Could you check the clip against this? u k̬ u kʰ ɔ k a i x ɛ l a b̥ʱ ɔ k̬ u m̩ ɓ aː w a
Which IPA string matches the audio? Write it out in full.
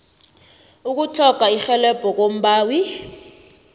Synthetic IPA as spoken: u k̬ u tʰ ɔ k a i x ɛ l ɛ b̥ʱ ɔ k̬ o m̩ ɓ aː w i